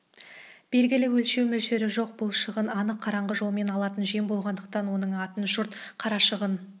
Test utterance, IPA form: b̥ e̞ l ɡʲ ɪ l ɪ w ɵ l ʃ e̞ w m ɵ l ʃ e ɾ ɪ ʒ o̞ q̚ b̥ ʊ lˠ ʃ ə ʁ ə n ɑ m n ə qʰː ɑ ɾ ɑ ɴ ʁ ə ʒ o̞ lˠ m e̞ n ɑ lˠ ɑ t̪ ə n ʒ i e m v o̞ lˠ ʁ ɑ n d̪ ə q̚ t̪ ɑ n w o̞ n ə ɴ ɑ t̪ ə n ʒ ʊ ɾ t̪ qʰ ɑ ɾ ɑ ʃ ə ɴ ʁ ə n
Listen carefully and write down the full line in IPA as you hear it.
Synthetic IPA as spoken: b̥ e̞ l ɡʲ ɪ l ɪ w ɵ l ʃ e̞ w m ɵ l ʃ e ɾ ɪ ʒ o̞ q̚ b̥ ʊ lˠ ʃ ə ʁ ə n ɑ n ə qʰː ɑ ɾ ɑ ɴ ʁ ə ʒ o̞ lˠ m e̞ n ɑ lˠ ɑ t̪ ə n ʒ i e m b o̞ lˠ ʁ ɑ n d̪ ə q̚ t̪ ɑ n w o̞ n ə ɴ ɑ t̪ ə n ʒ ʊ ɾ t̪ qʰ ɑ ɾ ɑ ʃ ə ʁ ə n